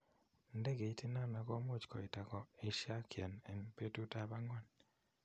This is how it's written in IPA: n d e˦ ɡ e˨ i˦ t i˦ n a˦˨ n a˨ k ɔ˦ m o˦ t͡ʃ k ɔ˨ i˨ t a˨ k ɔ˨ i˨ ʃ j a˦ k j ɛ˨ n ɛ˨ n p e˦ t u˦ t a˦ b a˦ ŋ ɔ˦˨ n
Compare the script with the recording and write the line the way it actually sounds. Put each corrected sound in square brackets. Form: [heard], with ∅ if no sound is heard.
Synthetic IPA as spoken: n d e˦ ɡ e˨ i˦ t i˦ n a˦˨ n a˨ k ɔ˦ m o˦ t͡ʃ k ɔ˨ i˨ t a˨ k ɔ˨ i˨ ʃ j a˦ k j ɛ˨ n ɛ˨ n p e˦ t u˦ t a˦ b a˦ ŋ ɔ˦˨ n